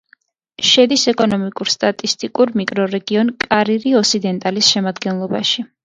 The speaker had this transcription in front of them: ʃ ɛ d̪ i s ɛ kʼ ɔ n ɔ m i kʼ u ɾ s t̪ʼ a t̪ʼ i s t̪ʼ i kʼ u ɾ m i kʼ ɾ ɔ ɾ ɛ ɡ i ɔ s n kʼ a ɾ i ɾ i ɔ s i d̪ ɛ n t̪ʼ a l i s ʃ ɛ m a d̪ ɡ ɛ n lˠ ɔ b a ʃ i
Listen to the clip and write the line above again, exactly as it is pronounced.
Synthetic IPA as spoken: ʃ ɛ d̪ i s ɛ kʼ ɔ n ɔ m i kʼ u ɾ s t̪ʼ a t̪ʼ i s t̪ʼ i kʼ u ɾ m i kʼ ɾ ɔ ɾ ɛ ɡ i ɔ n kʼ a ɾ i ɾ i ɔ s i d̪ ɛ n t̪ʼ a l i s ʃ ɛ m a d̪ ɡ ɛ n lˠ ɔ b a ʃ i